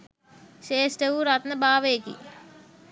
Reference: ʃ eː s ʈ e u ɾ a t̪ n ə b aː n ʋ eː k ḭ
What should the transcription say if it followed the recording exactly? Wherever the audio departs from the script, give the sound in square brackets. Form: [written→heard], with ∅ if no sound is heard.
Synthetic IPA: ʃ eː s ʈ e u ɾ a t̪ n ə b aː [n→∅] ʋ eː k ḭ